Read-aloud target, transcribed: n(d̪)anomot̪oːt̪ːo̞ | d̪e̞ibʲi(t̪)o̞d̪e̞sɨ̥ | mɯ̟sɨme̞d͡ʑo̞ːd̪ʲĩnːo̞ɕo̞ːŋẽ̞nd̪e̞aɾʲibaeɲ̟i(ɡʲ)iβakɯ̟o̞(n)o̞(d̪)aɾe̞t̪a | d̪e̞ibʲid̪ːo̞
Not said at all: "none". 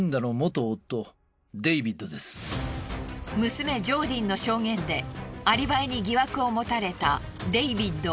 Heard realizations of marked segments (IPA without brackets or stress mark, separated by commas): d̪, d̪, ɡʲ, m, t̪